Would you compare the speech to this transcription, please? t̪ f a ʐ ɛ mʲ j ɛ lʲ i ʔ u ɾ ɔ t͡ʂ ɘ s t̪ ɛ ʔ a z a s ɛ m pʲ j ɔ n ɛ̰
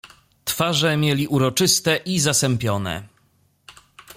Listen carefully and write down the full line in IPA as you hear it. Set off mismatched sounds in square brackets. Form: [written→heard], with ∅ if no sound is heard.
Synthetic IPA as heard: t̪ f a ʐ ɛ mʲ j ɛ lʲ i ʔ u ɾ ɔ t͡ʂ ɘ s t̪ ɛ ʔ [a→i] z a s ɛ m pʲ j ɔ n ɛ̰